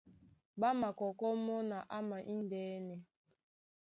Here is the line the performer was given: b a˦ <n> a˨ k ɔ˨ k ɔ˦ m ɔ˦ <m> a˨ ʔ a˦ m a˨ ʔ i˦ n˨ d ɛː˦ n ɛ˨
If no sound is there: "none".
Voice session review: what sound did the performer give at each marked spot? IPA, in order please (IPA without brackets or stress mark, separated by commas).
m, n